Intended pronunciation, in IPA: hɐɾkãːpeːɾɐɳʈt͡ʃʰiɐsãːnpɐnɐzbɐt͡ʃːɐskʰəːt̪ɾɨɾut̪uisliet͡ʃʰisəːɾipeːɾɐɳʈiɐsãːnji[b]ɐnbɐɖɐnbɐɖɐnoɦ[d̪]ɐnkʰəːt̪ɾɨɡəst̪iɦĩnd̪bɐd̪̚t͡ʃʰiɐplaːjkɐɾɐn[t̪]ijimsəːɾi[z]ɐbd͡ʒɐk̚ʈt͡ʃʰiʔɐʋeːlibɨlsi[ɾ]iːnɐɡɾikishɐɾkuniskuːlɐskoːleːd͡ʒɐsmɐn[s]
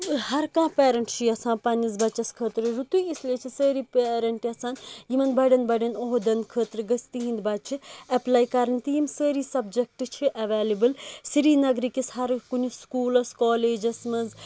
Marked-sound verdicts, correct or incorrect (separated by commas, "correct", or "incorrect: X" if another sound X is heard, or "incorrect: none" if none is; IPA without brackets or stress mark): incorrect: m, correct, correct, incorrect: s, correct, incorrect: z